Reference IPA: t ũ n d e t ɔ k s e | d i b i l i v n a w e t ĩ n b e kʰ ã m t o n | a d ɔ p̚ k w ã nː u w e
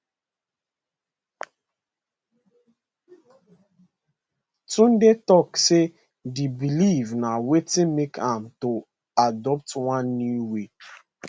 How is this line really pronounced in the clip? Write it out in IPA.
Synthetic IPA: t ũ n d e t ɔ k s e | d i b i l i v n a w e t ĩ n m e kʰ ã m t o | a d ɔ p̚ t w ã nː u w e

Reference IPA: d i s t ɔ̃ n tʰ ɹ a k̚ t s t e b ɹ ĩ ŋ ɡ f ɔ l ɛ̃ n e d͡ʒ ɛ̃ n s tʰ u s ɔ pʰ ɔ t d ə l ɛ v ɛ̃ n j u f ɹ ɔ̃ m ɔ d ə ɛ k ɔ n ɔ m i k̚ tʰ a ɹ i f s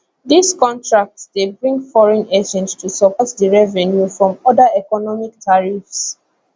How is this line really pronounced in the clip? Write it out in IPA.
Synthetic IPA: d i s k ɔ̃ n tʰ ɹ a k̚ t s d e b ɹ ĩ ŋ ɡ f ɔ ɹ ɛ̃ n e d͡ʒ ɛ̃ n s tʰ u s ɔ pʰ ɔ t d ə ɹ ɛ v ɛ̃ n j u f ɹ ɔ̃ m ɔ d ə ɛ k ɔ n ɔ m i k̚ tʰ a ɹ i f s

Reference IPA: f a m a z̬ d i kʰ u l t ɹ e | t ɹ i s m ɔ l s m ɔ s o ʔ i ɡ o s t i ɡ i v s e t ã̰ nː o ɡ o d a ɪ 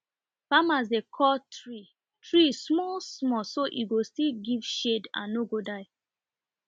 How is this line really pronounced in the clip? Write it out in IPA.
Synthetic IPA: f a m a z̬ d e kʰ ɔ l t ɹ i | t ɹ i s m ɔ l s m ɔ s o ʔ i ɡ o s t i ɡ i v ʃ e d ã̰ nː o ɡ o d a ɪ

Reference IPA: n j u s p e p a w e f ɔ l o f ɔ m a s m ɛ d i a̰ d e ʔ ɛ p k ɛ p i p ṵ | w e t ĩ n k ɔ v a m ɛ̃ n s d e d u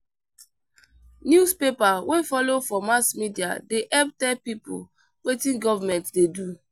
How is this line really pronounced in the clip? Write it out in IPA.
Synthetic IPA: n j u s p e p a w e f ɔ l o f ɔ m a s m i d i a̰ d e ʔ ɛ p t ɛ p i p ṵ | w e t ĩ n ɡ ɔ v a m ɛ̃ n t d e d u

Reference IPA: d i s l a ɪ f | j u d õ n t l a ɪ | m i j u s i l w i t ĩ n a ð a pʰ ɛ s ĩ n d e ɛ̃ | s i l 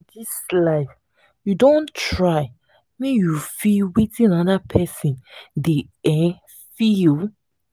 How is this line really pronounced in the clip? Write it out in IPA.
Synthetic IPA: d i s l a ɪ f | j u d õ n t ɹ a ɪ | m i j u f i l w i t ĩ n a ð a pʰ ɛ s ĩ n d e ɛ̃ | f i l

